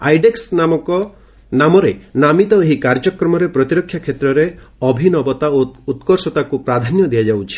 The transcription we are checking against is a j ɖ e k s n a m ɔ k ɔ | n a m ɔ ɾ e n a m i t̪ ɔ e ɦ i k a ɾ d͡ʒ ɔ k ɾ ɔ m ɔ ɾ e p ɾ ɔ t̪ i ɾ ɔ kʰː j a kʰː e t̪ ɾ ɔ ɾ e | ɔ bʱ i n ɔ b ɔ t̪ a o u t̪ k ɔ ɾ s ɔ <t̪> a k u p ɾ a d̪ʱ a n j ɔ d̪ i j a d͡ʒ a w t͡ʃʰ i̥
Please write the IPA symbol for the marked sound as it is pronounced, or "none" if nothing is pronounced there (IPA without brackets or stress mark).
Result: t̪